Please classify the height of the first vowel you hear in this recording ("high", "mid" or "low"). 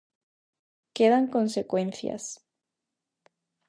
mid